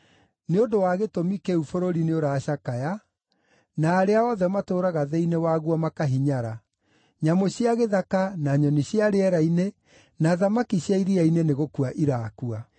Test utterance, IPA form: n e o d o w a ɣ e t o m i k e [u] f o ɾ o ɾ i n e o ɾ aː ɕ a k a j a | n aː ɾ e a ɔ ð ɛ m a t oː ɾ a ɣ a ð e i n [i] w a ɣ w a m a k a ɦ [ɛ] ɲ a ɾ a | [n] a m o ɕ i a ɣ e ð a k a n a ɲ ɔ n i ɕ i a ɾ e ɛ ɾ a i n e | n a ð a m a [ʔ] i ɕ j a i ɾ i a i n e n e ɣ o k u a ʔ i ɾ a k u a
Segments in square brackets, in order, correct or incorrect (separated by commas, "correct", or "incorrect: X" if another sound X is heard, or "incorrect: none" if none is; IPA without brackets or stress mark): correct, incorrect: e, incorrect: i, incorrect: ɲ, incorrect: k